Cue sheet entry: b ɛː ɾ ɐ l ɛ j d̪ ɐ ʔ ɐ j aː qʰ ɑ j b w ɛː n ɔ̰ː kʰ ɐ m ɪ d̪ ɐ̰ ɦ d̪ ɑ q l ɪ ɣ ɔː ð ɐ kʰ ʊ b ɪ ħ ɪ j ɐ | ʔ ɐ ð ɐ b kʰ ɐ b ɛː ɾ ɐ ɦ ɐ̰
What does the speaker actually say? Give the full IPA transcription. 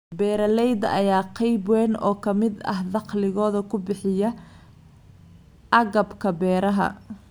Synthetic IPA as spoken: b ɛː ɾ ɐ l ɛ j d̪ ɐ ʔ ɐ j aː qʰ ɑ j b w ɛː n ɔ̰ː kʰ ɐ m ɪ d̪ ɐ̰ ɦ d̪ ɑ q l ɪ ɣ ɔː ð ɐ kʰ ʊ b ɪ ħ ɪ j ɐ | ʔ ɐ ɣ ɐ b kʰ ɐ b ɛː ɾ ɐ ɦ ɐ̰